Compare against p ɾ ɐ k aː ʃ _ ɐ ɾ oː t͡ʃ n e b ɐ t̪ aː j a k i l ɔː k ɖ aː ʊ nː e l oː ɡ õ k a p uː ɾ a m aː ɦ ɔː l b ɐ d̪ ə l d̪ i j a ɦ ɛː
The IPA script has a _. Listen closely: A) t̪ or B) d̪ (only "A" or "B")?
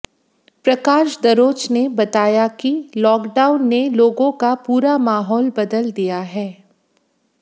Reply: B